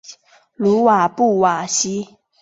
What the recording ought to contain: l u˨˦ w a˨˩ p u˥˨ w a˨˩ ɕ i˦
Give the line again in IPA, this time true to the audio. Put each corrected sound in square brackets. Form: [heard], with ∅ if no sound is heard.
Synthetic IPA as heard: l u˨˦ w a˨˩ p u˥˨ w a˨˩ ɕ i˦